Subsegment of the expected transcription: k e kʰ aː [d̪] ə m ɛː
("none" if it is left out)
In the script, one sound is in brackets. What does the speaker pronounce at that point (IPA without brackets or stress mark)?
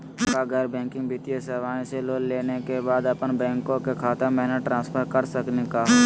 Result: t̪